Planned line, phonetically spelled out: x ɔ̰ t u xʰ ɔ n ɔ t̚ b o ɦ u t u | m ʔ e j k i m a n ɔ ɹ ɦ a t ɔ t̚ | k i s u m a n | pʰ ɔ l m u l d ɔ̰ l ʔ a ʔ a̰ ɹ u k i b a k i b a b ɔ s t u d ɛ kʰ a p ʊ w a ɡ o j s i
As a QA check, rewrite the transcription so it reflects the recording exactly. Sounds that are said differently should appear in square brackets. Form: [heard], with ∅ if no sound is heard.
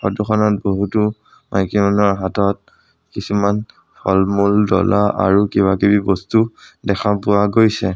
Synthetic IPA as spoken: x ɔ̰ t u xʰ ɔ n ɔ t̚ b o ɦ u t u | m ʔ [a] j k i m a n ɔ ɹ ɦ a t ɔ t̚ | k i s u m a n | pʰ ɔ l m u l d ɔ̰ l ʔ a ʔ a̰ ɹ u k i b a k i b [i] b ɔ s t u d ɛ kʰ a p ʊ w a ɡ o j s [ɛ]